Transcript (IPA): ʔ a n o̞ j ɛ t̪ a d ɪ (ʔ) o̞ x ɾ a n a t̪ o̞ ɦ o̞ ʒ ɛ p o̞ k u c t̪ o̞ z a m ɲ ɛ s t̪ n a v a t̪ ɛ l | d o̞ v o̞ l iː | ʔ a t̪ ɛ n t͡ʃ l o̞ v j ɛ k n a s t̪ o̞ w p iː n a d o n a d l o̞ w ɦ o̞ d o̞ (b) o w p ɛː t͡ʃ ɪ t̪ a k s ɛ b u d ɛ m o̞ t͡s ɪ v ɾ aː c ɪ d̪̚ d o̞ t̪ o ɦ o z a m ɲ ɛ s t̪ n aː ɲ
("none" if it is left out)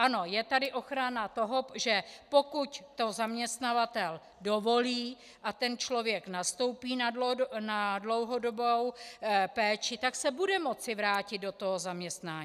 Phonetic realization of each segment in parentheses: ʔ, b

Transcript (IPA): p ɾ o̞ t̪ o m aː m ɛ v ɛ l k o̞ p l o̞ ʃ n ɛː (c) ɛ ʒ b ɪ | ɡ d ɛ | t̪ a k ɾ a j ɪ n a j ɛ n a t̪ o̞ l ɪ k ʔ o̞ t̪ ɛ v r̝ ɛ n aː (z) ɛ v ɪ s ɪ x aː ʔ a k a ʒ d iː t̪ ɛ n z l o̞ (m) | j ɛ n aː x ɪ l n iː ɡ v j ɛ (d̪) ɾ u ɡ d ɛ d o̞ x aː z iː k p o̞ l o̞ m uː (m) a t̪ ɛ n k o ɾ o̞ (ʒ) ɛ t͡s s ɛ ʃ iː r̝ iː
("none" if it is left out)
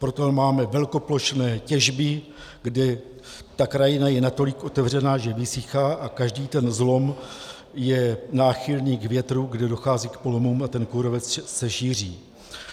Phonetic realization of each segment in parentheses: c, ʒ, m, t̪, m, v

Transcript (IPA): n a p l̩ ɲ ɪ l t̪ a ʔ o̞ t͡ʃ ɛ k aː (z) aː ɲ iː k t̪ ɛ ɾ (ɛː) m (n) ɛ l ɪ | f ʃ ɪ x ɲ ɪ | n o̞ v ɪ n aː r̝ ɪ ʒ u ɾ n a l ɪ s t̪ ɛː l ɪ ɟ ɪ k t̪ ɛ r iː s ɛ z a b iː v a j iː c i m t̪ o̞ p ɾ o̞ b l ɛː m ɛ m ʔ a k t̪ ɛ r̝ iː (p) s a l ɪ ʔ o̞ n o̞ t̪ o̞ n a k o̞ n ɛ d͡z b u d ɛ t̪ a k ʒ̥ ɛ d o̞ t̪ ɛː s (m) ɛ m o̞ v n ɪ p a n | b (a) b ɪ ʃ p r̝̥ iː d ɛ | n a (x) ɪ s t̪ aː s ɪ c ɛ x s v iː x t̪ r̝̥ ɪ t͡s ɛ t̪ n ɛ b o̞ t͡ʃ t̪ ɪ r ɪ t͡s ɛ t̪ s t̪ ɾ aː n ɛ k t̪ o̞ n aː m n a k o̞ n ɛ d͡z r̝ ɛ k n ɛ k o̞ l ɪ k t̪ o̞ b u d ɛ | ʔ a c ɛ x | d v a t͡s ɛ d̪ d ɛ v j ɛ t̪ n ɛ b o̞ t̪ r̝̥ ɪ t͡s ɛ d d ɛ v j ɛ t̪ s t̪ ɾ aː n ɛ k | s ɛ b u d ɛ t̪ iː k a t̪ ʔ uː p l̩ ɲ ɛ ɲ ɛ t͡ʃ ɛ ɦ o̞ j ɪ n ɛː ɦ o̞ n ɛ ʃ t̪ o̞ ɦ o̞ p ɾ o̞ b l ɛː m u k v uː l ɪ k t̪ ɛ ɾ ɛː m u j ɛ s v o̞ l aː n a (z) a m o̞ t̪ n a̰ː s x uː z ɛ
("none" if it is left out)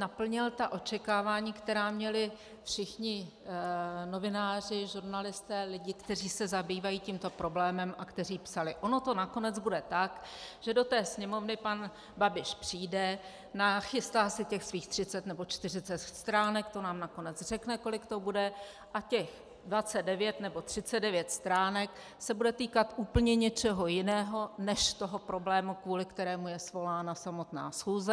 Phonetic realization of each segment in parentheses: v, aː, ɲ, p, ɲ, a, x, s

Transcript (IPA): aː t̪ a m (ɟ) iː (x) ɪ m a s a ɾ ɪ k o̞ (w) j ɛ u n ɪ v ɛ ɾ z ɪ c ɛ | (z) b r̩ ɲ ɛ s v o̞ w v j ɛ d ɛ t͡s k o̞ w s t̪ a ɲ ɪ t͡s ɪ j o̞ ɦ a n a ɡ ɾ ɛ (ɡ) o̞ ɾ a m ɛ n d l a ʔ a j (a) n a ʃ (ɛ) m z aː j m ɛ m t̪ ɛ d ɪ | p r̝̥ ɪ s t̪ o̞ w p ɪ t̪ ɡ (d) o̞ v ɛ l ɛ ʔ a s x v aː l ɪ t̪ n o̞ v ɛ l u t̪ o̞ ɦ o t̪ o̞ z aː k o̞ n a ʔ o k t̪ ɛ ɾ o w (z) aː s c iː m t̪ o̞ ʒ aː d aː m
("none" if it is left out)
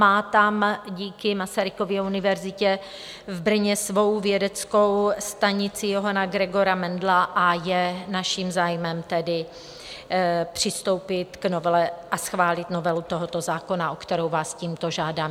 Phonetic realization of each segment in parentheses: ɟ, k, v, v, ɡ, ɛ, i, n, v

